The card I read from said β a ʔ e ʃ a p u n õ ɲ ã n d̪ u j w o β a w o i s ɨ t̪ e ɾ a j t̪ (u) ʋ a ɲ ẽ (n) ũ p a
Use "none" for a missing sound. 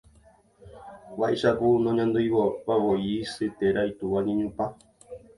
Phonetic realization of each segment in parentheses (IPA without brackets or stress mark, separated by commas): u, ɲ